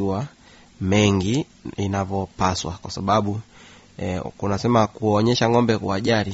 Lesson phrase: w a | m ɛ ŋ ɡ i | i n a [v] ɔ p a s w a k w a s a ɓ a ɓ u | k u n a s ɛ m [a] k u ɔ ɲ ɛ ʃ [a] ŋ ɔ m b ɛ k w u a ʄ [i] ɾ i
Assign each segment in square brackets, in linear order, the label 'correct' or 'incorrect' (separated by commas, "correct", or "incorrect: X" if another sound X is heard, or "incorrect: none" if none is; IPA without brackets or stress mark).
correct, correct, correct, incorrect: a